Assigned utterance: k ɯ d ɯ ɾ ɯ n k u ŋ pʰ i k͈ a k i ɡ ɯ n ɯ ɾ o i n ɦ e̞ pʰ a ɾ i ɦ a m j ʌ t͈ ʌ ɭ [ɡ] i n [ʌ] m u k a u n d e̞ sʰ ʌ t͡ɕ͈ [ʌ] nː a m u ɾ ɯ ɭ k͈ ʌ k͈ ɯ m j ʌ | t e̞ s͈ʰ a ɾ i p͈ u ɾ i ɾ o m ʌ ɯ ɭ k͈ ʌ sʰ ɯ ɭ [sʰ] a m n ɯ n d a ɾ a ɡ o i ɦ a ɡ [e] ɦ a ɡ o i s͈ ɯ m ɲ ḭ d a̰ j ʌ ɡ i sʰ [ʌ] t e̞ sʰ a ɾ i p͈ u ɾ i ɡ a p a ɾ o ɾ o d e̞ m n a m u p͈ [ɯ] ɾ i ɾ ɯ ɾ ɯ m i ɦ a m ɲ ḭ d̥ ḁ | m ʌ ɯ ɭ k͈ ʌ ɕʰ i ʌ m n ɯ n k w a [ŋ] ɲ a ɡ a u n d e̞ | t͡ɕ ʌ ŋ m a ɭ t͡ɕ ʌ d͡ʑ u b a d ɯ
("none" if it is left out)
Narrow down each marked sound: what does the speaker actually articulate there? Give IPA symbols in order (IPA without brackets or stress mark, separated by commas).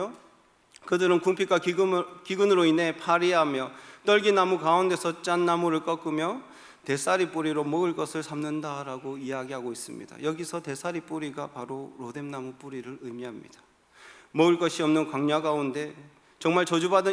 ɡ, a, a, sʰ, i, ʌ, u, ŋ